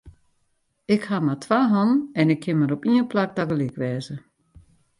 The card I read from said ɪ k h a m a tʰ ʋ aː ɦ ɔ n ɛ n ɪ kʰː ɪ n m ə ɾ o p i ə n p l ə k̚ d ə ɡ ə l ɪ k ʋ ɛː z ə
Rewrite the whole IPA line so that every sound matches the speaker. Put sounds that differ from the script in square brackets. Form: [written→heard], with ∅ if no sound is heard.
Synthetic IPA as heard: ɪ k h a m a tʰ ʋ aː ɦ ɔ n ɛ n ɪ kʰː ɪ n m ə ɾ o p i ə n p l [ə→a] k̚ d [ə→a] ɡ ə l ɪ k ʋ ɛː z ə